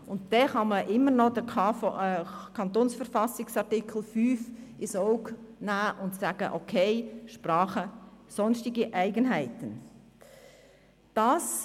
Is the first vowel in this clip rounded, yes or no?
yes